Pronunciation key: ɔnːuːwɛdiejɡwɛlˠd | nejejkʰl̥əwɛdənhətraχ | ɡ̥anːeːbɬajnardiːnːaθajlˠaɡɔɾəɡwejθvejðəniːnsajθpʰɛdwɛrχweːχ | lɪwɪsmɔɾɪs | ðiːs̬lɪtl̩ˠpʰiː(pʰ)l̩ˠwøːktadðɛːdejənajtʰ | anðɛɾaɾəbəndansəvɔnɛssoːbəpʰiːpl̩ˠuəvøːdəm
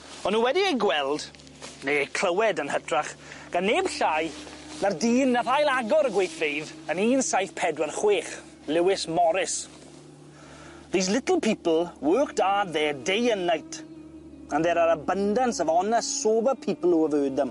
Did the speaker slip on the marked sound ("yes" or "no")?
yes